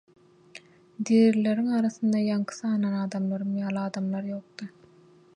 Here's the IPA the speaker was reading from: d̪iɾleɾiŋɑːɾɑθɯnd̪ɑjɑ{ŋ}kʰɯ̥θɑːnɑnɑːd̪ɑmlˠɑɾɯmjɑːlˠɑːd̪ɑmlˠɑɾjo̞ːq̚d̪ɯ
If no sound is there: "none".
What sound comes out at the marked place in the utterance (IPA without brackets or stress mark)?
ŋ